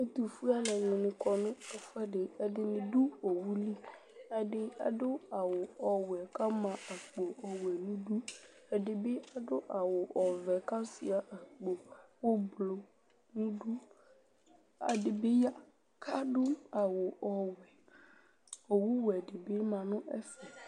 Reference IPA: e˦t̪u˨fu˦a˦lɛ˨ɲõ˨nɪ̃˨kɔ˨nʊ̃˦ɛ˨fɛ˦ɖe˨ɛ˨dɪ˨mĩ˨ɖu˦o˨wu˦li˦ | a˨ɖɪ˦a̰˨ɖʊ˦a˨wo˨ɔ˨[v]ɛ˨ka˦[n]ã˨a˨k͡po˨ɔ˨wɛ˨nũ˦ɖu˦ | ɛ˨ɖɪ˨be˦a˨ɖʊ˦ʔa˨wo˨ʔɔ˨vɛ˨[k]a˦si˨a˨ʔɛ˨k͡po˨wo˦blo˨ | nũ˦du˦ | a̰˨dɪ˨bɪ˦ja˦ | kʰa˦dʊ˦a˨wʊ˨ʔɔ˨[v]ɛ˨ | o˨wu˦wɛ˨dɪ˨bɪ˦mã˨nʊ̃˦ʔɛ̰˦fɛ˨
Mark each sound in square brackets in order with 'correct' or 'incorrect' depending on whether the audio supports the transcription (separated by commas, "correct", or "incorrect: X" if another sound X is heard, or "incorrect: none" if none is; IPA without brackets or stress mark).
incorrect: w, incorrect: m, correct, incorrect: w